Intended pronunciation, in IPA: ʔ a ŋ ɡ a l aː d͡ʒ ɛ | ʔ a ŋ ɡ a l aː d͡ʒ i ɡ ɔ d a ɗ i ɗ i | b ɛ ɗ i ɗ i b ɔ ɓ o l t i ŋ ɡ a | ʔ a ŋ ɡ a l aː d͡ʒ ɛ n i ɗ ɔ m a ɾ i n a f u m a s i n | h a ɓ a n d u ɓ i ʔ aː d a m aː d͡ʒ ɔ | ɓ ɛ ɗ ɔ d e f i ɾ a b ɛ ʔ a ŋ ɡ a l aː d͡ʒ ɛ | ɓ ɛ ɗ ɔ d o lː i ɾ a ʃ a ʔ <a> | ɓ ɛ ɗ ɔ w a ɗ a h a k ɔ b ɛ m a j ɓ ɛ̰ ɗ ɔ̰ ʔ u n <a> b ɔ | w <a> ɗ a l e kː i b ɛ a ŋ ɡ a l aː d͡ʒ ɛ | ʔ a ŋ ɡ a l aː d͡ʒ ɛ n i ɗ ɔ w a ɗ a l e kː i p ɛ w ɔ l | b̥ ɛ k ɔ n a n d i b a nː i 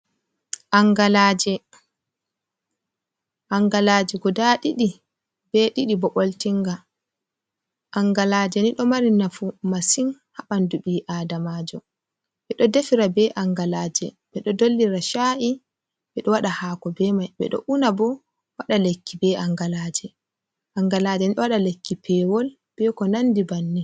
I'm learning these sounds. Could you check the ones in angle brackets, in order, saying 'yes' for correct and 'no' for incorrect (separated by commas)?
no, yes, yes